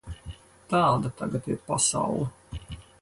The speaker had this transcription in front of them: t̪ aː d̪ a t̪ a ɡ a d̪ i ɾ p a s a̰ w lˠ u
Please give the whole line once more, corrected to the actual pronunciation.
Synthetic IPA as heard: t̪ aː d̪ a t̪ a ɡ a t̪ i ɾ p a s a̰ w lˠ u